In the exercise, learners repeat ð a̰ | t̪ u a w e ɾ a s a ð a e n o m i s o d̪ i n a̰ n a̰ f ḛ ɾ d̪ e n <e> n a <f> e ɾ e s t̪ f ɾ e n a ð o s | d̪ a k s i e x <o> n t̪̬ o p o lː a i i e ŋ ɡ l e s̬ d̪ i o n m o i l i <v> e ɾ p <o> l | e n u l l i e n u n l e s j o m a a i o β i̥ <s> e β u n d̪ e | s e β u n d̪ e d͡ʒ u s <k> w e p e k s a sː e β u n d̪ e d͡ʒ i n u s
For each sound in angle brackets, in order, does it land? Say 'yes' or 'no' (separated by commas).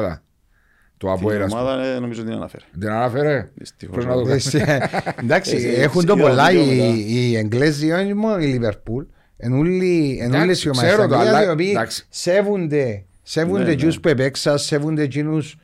no, yes, no, no, no, yes, no